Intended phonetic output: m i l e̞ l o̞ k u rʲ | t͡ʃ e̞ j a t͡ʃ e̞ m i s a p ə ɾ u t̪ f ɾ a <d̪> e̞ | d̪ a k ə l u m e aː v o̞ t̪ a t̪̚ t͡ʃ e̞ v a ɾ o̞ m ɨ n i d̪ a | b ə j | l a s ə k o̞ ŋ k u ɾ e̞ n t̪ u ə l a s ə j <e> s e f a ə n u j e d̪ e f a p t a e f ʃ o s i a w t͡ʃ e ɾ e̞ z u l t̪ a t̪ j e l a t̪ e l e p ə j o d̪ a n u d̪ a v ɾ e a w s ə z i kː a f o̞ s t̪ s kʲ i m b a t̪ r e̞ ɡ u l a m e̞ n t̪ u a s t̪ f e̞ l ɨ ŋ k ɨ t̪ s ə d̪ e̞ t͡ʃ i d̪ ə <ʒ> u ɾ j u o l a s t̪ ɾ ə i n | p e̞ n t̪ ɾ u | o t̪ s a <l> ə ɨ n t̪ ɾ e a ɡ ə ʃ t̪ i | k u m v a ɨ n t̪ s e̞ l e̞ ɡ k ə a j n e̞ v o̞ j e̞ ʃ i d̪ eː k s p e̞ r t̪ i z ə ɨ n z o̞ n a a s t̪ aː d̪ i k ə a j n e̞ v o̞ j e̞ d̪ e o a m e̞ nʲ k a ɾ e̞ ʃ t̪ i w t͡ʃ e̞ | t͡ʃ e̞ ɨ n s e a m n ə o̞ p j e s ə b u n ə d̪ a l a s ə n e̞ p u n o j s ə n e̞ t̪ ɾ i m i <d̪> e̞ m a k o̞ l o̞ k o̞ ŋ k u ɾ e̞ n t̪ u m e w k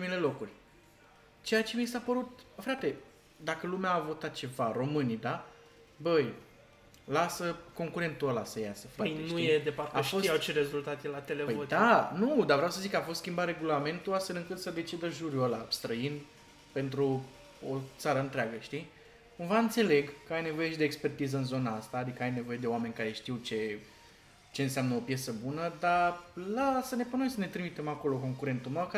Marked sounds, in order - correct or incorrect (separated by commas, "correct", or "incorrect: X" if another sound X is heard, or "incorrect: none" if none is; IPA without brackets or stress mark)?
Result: incorrect: t̪, incorrect: a, correct, incorrect: ɾ, incorrect: t̪